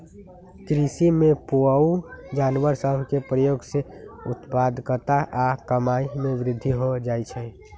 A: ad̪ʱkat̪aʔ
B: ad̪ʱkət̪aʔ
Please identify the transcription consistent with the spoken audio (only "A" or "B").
B